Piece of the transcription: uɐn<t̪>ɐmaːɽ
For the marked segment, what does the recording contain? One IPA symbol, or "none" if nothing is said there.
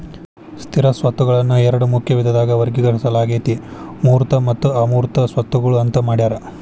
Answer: t̪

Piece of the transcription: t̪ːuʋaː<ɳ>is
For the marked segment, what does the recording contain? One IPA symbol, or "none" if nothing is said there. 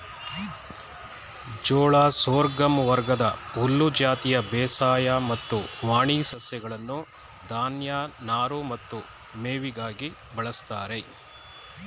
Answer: ɳ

